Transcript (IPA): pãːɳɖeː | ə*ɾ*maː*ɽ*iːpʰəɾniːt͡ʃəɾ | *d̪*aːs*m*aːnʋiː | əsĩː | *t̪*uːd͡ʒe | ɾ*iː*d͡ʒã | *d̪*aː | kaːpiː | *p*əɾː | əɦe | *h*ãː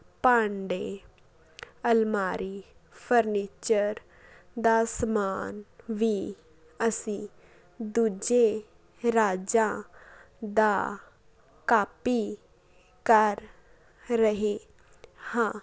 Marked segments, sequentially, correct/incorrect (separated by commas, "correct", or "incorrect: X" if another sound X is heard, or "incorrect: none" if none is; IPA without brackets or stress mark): incorrect: l, incorrect: ɾ, correct, correct, incorrect: d̪, incorrect: aː, correct, incorrect: k, correct